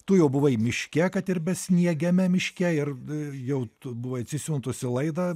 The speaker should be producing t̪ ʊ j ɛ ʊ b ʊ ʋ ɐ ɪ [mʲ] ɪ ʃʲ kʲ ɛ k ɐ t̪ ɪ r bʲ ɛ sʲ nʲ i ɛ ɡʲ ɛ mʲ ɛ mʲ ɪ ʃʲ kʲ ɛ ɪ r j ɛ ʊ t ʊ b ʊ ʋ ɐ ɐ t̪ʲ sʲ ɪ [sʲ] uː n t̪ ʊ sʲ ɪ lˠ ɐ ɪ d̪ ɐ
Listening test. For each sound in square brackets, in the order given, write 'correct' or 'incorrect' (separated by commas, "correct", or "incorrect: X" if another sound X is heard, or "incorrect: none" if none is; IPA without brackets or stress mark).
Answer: correct, correct